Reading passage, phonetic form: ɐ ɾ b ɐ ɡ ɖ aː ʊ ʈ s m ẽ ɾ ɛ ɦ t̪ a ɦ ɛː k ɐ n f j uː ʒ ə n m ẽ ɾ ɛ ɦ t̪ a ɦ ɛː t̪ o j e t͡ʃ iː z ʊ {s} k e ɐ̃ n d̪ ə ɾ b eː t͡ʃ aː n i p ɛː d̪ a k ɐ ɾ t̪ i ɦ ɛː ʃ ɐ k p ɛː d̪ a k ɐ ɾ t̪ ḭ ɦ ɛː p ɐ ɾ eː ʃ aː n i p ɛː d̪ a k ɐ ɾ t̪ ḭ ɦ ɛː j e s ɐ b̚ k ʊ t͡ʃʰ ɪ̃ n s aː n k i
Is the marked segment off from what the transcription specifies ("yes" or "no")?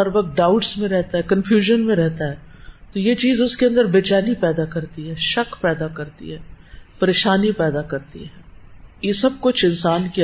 no